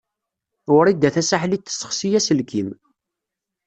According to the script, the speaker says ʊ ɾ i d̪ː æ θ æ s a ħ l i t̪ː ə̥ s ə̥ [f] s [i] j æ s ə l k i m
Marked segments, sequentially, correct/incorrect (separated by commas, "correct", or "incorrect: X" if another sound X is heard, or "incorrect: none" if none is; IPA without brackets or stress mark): incorrect: χ, correct